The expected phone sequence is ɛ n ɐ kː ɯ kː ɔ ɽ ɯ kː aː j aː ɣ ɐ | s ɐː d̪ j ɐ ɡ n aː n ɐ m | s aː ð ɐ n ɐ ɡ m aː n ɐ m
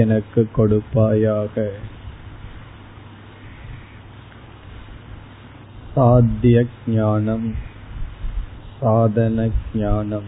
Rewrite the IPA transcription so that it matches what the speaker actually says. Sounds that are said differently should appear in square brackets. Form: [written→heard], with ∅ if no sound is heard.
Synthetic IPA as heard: ɛ n ɐ kː ɯ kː ɔ ɽ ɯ [kː→pː] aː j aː ɣ ɐ | s [ɐː→aː] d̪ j ɐ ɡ [n→ɲ] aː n ɐ m | s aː ð ɐ n ɐ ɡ [m→ɲ] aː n ɐ m